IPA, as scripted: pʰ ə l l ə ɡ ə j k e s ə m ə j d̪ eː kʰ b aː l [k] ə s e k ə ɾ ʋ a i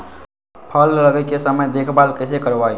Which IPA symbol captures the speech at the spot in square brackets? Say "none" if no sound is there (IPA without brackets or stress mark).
k